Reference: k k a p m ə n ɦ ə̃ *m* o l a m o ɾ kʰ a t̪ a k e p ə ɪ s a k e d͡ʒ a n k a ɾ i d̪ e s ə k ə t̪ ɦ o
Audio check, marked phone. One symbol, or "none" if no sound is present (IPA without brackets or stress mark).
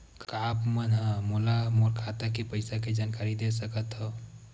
m